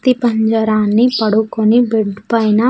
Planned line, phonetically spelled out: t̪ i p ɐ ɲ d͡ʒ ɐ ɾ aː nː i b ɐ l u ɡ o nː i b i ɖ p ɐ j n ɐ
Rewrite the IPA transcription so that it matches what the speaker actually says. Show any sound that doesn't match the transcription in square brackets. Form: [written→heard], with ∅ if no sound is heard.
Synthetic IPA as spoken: t̪ i p ɐ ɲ d͡ʒ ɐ ɾ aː nː i [b→p] ɐ [l→ɽ] u [ɡ→k] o [nː→n] i b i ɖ p ɐ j n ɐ